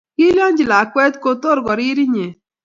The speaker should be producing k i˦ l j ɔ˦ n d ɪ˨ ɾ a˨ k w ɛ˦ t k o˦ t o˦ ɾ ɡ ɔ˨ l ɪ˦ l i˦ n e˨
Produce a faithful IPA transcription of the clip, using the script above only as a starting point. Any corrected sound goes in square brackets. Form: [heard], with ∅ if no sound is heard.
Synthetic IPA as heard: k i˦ l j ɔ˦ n [d͡ʒ] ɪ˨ [l] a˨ k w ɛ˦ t k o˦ t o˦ ɾ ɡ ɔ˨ [ɾ] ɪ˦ [ɾ] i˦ [ɲ] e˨